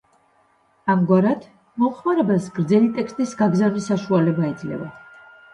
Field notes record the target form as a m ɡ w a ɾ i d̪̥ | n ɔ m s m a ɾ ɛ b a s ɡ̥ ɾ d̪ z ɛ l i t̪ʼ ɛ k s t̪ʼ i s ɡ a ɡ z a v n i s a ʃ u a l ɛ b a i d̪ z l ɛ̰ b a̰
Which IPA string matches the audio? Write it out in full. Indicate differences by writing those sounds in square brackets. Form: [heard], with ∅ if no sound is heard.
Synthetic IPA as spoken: a m ɡ w a ɾ [a] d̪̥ | [m] ɔ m [χ] m a ɾ ɛ b a s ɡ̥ ɾ d̪ z ɛ l i t̪ʼ ɛ k s t̪ʼ i s ɡ a ɡ z a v n i s a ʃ u a l ɛ b a i d̪ z l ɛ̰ [v] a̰